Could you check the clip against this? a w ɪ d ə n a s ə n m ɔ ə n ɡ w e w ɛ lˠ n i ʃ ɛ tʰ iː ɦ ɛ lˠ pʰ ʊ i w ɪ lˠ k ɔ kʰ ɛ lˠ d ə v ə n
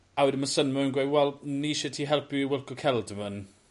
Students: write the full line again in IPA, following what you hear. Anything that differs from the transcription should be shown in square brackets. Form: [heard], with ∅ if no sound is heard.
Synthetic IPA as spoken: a w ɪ d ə [m] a s ə n m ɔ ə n ɡ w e w ɛ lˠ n i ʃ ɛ tʰ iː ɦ ɛ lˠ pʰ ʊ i w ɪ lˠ k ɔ kʰ ɛ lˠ d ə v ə n